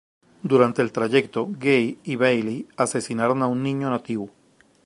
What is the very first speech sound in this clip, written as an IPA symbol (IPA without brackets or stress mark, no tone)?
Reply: d̪